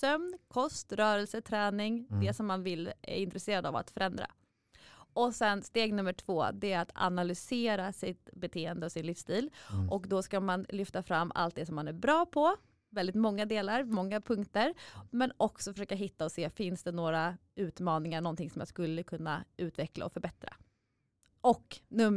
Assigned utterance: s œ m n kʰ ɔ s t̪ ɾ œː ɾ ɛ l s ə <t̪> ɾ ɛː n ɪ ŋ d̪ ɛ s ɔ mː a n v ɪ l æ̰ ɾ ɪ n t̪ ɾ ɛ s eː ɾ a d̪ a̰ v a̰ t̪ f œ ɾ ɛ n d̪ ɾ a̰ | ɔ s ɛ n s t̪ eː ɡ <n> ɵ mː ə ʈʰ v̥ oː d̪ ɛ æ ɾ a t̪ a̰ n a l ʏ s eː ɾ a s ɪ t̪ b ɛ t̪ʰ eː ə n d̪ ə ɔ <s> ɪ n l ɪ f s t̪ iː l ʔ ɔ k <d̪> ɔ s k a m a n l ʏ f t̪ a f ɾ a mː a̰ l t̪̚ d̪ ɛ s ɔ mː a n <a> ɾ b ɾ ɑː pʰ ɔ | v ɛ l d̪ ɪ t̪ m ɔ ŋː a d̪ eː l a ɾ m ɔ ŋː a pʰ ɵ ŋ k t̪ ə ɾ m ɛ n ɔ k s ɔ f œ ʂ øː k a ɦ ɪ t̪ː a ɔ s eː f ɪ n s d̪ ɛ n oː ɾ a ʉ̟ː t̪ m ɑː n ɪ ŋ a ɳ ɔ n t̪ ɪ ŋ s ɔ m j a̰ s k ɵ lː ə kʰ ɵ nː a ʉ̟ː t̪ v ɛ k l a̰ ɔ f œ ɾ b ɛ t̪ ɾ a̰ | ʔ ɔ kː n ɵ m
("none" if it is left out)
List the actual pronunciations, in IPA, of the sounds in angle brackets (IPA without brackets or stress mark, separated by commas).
t̪ʰ, n, s, d̪, æ